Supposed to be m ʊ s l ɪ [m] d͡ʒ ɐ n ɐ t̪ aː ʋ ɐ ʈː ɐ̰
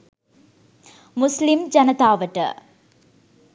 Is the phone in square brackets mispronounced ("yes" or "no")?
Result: no